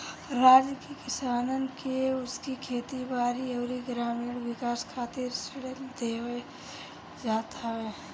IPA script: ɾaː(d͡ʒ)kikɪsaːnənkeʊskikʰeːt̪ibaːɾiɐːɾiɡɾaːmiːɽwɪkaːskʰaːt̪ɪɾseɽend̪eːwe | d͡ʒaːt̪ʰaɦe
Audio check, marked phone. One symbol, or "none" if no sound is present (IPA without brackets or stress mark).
d͡ʒ